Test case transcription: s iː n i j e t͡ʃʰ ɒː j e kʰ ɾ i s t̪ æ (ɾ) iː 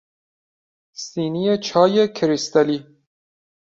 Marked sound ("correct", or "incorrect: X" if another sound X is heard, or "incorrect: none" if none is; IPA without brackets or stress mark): incorrect: l